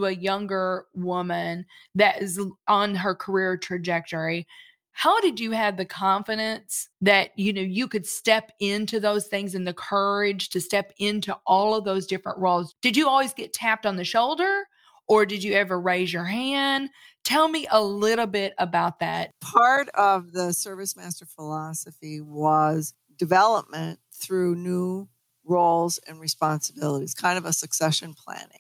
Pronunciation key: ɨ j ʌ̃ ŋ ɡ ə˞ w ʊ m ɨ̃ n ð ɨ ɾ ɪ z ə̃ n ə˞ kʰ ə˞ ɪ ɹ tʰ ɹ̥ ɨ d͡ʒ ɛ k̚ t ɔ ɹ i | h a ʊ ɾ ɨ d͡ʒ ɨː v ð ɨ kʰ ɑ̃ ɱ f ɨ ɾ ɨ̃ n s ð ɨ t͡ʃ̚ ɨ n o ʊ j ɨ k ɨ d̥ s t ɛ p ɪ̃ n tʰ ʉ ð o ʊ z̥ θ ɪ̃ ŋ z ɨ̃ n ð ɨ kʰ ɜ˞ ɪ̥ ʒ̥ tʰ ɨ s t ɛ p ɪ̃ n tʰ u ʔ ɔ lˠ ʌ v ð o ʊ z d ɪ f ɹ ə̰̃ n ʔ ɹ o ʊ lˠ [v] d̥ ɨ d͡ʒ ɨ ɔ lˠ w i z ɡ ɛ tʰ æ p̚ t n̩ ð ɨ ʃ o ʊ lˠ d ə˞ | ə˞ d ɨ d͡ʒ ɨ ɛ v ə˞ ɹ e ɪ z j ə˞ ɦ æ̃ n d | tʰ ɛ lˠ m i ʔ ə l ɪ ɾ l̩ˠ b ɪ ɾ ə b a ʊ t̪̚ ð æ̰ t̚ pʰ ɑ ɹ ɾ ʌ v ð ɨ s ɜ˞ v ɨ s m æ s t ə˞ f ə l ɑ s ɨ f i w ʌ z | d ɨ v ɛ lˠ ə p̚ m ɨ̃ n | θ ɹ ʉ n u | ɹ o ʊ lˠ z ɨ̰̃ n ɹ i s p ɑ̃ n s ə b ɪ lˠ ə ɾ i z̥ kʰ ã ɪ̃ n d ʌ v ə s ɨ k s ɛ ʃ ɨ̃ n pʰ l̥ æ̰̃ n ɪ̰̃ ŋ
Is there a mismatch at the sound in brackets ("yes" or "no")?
yes